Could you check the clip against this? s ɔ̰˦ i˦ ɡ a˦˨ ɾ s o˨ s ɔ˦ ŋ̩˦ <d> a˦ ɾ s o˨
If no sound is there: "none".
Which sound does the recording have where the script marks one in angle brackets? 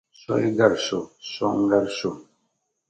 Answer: ɡ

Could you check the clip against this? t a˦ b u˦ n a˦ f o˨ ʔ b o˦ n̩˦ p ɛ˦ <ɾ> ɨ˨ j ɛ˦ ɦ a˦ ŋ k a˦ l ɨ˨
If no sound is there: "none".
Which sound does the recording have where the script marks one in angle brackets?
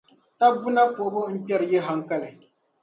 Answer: ɾ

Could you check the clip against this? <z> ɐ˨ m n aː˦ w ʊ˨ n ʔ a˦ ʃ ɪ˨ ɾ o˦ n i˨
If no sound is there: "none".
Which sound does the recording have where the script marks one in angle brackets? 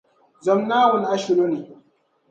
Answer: z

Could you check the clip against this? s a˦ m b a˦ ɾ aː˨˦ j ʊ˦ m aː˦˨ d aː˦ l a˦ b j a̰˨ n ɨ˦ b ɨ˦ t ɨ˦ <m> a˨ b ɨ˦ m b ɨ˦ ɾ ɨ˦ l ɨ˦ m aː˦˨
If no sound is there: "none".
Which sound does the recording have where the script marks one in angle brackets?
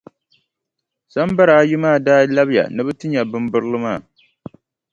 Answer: ɲ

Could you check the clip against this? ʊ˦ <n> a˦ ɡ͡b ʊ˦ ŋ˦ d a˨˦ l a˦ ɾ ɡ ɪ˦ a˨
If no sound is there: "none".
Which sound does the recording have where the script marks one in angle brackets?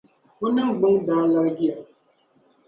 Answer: n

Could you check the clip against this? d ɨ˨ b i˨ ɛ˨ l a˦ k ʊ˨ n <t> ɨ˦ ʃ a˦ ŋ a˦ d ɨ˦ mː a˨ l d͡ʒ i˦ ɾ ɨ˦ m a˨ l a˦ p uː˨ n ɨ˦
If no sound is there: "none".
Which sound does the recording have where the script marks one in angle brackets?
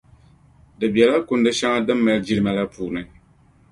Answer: d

